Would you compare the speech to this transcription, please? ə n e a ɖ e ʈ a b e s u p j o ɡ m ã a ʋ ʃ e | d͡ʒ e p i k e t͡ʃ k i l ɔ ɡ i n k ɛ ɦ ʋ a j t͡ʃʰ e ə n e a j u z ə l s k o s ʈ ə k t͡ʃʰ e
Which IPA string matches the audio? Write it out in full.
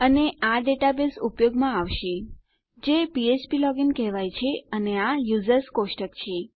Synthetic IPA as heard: ə n e a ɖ e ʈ a b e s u p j o ɡ m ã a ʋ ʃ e | d͡ʒ e p i e t͡ʃ p i l ɔ ɡ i n k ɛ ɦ ʋ a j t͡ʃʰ e ə n e a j u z ə ɾ s k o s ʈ ə k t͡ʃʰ e